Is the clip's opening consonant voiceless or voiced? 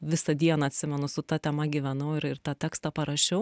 voiced